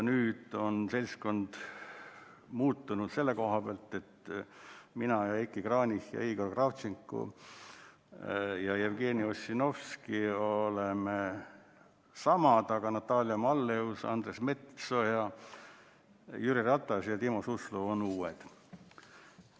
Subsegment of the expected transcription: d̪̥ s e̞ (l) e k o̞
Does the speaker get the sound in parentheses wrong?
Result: yes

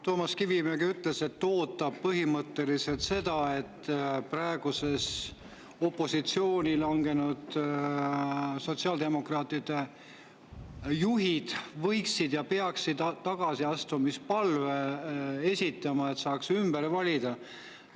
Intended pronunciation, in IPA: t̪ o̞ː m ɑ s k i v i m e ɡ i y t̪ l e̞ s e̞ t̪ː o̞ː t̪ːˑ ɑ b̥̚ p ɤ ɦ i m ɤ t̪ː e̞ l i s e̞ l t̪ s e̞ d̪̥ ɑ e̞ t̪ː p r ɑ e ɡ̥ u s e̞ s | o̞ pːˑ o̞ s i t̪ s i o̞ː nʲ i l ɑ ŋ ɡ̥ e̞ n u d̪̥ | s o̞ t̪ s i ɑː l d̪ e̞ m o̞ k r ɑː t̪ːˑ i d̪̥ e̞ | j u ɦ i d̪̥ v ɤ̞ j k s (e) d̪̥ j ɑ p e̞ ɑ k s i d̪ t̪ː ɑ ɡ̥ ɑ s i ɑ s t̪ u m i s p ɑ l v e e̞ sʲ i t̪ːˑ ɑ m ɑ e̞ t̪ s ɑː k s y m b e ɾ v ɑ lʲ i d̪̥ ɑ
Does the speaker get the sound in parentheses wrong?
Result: yes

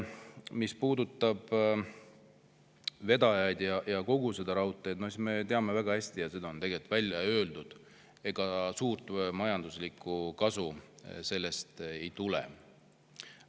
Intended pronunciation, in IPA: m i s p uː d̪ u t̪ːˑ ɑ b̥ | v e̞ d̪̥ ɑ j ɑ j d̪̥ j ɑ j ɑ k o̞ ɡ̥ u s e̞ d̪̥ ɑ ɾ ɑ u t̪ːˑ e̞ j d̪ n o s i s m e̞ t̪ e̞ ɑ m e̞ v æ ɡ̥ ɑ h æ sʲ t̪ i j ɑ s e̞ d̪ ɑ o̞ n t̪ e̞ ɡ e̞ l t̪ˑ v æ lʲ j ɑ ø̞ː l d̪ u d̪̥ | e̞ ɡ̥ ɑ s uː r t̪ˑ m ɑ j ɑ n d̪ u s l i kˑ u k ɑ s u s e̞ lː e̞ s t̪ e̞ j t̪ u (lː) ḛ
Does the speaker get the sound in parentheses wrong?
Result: yes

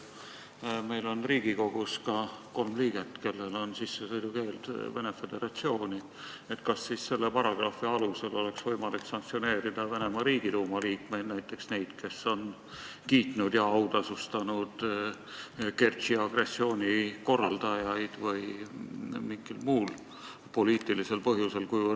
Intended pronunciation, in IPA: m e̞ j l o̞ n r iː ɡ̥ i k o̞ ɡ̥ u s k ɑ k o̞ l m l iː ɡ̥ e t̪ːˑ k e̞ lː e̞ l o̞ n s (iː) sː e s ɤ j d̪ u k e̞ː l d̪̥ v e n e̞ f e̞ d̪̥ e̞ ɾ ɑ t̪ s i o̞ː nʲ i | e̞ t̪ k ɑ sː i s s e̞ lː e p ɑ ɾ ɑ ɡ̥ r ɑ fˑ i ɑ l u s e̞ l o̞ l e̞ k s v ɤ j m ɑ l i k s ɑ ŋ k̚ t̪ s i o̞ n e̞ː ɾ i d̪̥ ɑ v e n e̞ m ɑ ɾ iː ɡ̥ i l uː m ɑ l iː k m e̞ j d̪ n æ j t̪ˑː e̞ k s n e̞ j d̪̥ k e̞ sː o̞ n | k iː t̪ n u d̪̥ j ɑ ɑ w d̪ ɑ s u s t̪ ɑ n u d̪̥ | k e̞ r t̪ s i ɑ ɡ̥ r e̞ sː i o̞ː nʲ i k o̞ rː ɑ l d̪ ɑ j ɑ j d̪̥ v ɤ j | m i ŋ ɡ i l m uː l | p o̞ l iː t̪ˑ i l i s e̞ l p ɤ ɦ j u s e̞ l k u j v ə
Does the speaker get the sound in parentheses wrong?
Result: yes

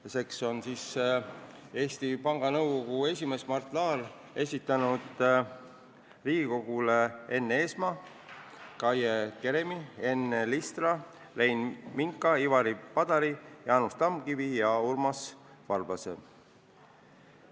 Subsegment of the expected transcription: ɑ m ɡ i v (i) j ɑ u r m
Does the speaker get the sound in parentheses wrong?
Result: no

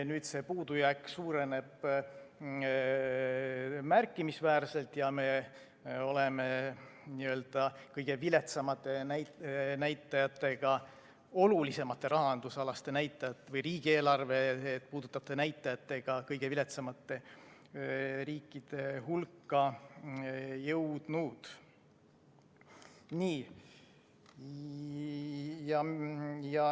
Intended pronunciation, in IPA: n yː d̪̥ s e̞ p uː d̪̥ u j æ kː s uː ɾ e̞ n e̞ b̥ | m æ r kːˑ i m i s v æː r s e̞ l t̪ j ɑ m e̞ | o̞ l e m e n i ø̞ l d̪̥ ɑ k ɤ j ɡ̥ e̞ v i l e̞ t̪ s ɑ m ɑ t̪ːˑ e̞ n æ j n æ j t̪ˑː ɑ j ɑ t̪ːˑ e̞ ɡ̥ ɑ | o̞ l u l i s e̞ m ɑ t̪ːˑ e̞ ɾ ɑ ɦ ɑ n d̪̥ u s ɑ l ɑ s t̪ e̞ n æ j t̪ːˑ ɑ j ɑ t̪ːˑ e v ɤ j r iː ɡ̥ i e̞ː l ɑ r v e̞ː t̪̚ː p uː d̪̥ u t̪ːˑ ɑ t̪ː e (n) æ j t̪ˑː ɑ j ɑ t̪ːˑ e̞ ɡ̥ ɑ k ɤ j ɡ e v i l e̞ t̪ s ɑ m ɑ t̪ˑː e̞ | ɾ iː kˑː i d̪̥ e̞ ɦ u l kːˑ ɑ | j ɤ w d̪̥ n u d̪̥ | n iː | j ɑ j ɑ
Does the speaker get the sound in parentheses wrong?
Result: no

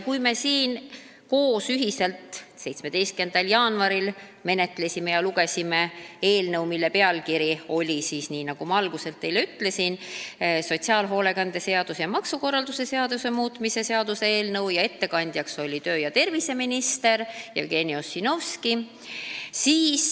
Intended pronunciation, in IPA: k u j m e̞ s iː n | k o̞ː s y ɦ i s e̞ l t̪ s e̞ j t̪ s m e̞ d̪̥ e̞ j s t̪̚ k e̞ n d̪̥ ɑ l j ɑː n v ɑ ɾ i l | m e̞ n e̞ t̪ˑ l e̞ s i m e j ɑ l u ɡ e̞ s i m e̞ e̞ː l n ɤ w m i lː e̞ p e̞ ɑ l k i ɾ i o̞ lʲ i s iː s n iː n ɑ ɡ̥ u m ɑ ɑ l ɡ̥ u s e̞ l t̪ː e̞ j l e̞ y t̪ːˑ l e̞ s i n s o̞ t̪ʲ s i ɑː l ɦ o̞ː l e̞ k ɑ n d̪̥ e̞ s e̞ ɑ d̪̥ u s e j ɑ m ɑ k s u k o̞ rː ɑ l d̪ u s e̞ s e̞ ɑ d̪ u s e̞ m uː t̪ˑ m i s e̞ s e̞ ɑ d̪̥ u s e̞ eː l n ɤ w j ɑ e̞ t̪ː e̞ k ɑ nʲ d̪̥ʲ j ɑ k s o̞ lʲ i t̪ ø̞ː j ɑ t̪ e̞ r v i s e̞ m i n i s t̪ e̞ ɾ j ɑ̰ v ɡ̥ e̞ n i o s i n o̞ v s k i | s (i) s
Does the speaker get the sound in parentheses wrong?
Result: yes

